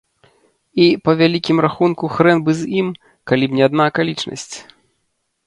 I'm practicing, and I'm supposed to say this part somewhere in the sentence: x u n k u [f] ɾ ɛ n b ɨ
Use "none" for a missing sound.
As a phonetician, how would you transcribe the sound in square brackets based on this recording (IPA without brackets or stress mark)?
x